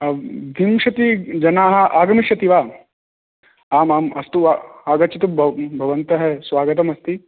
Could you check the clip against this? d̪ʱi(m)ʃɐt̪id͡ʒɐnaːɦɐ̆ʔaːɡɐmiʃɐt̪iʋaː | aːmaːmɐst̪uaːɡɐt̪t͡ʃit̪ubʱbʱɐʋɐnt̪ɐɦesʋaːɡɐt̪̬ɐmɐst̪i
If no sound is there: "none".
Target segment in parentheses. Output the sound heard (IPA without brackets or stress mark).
m